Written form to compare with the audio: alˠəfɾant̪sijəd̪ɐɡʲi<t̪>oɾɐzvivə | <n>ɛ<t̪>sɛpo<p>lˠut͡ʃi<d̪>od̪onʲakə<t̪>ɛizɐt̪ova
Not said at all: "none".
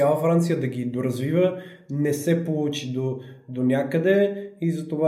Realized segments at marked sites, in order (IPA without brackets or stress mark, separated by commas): d̪, n, none, none, d̪, d̪